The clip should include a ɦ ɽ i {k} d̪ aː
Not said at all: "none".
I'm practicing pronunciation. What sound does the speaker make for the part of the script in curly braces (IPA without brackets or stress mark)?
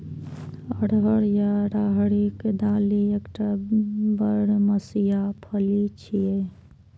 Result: k